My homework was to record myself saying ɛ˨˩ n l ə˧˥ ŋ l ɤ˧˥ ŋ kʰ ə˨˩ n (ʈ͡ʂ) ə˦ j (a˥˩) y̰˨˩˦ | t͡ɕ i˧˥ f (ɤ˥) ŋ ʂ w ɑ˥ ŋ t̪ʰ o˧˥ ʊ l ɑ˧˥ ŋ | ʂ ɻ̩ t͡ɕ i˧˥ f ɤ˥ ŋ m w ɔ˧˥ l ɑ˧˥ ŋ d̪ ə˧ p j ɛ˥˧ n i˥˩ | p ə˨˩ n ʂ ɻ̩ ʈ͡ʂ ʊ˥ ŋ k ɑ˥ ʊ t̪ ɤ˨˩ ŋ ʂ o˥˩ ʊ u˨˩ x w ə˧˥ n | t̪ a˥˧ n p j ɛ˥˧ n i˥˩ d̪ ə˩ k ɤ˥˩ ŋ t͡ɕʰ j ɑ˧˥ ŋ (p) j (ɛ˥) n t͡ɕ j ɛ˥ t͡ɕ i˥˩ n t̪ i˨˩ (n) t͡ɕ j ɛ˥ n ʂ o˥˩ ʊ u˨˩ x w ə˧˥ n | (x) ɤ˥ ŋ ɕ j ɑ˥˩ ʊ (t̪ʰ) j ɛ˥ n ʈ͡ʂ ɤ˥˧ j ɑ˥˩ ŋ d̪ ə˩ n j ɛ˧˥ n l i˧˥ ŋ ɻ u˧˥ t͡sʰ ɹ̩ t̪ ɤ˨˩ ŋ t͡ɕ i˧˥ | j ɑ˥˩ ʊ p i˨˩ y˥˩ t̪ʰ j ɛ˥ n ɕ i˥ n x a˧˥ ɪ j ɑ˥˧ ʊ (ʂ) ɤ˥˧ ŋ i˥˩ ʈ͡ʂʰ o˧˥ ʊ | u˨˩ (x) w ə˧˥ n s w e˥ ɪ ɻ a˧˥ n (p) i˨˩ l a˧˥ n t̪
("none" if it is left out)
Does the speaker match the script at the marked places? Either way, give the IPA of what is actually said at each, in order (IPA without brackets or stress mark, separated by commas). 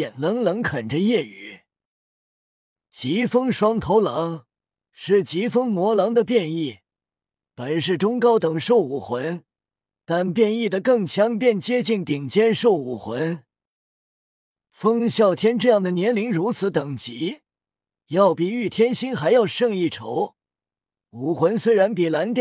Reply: ʈ͡ʂ, ɛ˥˩, ɤ˥, p, ɛ˥˩, ŋ, f, t̪ʰ, ʂ, x, p